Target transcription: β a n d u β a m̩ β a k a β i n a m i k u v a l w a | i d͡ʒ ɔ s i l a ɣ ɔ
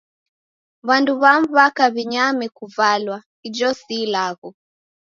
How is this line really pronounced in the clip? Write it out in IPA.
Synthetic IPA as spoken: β a n d u β a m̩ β a k a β i ɲ a m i k u v a l w a | i d͡ʒ ɔ s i l a ɣ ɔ